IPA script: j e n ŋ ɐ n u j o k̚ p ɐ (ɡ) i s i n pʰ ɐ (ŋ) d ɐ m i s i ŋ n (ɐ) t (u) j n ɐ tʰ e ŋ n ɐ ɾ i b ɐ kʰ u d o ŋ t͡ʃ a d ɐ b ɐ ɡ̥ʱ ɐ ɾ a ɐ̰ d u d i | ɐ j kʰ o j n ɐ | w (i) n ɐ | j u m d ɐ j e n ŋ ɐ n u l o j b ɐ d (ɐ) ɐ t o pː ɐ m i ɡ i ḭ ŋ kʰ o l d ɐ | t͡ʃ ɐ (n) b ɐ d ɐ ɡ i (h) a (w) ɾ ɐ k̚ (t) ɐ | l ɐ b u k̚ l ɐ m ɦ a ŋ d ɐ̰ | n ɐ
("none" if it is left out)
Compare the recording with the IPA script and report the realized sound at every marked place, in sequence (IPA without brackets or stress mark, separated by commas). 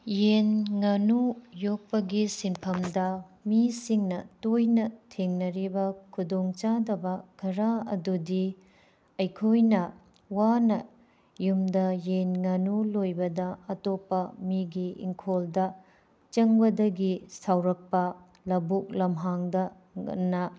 ɡ, m, ɐ, o, a, ɐ, ŋ, s, w, p